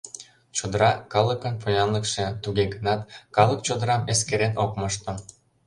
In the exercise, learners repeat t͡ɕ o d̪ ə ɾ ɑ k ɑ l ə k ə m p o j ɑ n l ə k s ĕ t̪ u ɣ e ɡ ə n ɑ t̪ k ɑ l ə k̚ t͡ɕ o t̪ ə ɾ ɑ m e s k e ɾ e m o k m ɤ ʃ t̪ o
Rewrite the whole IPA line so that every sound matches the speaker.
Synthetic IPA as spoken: t͡ɕ o d̪ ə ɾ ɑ k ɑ l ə k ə n p o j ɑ n l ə k ʃ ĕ t̪ u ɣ e ɡ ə n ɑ t̪ k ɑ l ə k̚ t͡ɕ o d̪ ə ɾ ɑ m e s k e ɾ e n o k m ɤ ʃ t̪ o